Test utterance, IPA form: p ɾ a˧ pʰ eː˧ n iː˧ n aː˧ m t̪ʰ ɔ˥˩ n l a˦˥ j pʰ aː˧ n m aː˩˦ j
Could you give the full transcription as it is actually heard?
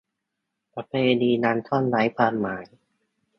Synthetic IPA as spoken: p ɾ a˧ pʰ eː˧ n iː˧ n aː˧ n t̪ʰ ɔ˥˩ n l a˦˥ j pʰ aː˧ n m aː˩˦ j